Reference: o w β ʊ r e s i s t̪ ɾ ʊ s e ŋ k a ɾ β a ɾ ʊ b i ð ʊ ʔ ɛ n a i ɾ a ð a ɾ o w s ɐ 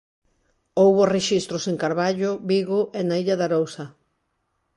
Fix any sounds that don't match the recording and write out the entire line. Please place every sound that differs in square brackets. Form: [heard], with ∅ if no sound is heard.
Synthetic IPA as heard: o w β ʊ r e [ʃ] i s t̪ ɾ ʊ s e ŋ k a ɾ β a [ʎ] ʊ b i [ɣ] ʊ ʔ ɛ n a i [ʎ] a ð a ɾ o w s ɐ